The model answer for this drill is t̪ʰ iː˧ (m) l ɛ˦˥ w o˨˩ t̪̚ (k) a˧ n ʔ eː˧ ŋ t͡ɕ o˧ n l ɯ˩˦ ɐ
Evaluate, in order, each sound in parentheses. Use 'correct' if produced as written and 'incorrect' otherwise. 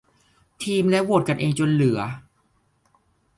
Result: correct, correct

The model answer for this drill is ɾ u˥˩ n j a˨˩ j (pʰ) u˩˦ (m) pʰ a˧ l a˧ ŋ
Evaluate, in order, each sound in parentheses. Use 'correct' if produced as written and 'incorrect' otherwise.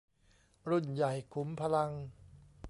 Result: incorrect, correct

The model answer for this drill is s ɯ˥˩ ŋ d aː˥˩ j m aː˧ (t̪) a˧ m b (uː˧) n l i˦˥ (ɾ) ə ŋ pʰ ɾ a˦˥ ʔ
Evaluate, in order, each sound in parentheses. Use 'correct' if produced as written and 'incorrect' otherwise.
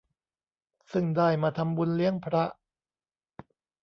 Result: incorrect, incorrect, incorrect

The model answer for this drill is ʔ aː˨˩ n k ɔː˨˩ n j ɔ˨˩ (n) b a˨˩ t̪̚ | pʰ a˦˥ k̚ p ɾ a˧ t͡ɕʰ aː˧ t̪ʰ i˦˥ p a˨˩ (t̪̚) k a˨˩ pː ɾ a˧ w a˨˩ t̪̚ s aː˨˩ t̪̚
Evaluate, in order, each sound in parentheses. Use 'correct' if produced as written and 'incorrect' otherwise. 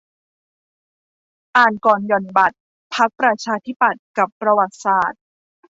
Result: correct, correct

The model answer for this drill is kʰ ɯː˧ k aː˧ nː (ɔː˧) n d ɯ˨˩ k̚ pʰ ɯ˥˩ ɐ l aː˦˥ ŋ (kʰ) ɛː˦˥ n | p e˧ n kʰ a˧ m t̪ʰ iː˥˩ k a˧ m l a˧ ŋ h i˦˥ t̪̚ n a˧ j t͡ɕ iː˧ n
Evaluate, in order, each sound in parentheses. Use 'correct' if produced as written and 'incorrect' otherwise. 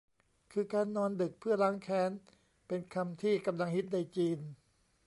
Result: correct, correct

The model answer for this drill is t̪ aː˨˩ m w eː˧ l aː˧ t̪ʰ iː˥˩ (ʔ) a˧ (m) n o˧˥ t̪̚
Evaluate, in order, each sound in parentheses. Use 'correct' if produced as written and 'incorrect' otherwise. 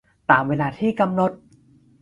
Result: incorrect, correct

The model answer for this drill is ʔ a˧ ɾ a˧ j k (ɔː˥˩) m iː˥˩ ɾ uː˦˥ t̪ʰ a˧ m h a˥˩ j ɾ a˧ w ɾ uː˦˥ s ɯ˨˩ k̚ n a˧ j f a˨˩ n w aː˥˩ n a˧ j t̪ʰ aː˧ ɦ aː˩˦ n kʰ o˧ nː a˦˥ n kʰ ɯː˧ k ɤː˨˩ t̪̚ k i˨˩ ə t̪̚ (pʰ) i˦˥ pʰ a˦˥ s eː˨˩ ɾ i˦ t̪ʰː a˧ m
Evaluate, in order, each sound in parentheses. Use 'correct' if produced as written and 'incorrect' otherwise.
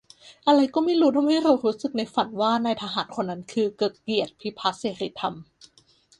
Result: correct, correct

